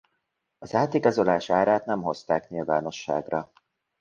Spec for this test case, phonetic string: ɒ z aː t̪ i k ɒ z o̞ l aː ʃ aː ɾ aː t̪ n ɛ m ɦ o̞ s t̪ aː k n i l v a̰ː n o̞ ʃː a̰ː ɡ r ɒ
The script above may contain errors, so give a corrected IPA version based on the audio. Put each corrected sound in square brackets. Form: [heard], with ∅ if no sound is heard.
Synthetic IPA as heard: ɒ z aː t̪ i [ɡ] ɒ z o̞ l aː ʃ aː ɾ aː t̪ n ɛ m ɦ o̞ s t̪ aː k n i l v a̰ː n o̞ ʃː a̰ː ɡ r ɒ